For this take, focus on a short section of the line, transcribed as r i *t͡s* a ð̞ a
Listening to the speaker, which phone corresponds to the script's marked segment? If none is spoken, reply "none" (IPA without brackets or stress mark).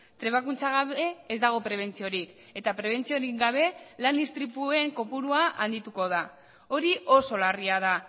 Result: none